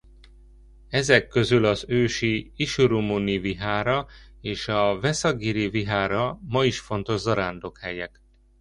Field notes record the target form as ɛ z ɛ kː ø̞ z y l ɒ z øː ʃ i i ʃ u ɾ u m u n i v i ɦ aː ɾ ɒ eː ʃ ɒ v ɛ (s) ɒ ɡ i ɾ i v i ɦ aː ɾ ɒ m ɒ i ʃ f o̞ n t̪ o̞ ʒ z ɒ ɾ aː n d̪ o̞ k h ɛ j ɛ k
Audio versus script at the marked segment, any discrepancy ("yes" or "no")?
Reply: no